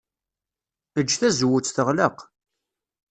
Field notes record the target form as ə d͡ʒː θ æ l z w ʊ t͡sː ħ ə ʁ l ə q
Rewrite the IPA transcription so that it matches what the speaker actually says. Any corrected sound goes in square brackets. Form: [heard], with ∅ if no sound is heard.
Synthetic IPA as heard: ə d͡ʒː θ æ [∅] z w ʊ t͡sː [θ] ə ʁ l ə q